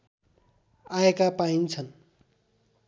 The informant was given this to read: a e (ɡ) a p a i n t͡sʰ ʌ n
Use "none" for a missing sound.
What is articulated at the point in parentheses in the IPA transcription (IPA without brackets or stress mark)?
k